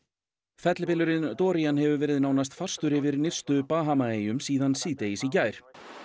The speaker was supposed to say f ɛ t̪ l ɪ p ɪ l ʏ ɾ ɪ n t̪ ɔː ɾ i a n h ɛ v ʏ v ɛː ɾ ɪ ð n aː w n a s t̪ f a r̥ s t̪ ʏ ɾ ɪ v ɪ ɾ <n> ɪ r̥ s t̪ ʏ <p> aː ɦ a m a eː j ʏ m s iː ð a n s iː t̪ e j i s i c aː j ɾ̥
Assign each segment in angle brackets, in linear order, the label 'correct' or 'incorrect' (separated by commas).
correct, correct